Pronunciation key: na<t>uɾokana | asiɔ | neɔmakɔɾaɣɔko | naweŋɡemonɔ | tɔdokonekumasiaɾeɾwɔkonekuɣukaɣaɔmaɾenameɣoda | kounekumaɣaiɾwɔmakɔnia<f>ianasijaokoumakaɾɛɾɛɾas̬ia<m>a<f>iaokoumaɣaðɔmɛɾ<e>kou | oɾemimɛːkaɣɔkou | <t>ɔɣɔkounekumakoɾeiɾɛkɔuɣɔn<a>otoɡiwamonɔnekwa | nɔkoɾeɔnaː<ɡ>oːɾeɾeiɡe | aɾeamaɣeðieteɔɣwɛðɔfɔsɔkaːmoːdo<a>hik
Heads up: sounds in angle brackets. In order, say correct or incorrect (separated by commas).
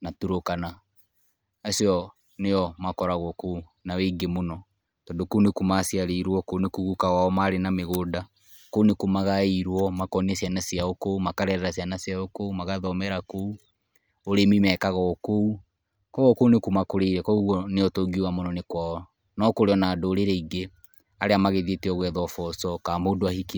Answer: correct, incorrect, incorrect, incorrect, incorrect, incorrect, incorrect, incorrect, correct